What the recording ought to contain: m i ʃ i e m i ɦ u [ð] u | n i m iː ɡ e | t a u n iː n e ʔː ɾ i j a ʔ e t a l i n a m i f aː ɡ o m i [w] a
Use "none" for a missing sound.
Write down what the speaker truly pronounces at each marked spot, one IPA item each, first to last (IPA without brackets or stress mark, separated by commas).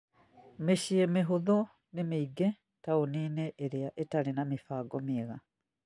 ð, ɣ